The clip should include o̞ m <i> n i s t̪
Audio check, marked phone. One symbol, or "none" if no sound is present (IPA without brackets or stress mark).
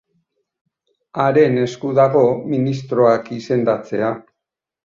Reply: i